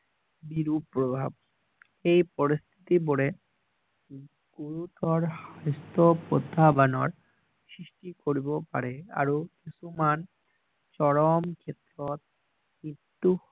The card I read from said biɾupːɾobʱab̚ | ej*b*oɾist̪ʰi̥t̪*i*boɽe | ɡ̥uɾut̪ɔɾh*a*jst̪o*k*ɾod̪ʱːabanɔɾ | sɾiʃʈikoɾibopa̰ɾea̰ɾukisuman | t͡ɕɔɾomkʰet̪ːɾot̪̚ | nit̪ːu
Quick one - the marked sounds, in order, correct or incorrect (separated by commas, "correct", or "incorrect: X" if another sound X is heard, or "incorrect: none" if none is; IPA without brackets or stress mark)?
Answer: incorrect: p, correct, correct, incorrect: p